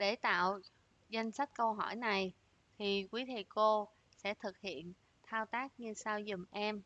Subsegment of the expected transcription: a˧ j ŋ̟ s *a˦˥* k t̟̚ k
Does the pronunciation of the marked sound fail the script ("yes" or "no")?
no